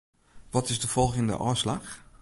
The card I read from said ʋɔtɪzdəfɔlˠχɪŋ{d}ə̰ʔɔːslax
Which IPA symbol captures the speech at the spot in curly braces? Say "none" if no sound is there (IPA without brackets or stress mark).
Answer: d